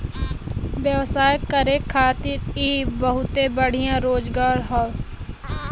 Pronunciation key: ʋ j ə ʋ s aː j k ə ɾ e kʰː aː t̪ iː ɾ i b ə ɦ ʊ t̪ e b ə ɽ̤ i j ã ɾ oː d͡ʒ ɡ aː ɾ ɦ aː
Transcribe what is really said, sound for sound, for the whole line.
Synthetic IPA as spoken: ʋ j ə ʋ s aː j k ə ɾ e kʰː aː t̪ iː ɾ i b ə ɦ ʊ t̪ e b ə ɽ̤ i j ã ɾ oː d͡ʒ ɡ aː ɾ ɦ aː